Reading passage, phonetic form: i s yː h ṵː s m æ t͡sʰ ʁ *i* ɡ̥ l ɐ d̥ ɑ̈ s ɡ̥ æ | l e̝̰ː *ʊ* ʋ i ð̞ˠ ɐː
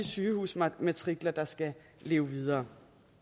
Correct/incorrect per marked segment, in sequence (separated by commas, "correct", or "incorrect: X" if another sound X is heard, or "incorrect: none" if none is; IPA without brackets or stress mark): correct, correct